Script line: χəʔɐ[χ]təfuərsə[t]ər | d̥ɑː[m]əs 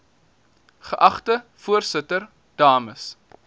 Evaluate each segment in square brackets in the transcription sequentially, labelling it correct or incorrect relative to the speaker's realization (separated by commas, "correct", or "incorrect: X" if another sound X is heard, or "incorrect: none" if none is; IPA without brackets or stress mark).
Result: correct, correct, correct